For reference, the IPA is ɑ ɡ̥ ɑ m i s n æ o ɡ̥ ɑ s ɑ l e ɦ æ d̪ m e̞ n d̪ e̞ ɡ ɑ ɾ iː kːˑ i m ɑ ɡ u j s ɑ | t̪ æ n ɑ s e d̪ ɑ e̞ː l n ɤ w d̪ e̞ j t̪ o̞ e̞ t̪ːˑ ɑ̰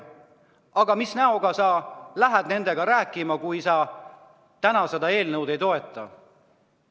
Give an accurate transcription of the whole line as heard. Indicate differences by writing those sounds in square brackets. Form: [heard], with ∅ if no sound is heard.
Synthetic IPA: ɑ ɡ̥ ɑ m i s n æ o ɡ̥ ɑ s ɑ l [æ] ɦ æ d̪ [n] e̞ n d̪ e̞ ɡ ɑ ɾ [æː] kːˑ i m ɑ [k] u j s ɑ | t̪ æ n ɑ s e d̪ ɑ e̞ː l n ɤ w d̪ e̞ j t̪ o̞ e̞ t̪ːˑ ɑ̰